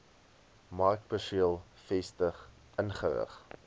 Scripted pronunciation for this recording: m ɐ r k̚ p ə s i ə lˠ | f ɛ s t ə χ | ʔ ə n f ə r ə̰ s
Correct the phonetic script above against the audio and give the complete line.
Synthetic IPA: m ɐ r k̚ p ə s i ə lˠ | f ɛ s t ə χ | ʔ ə n χ ə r ə̰ χ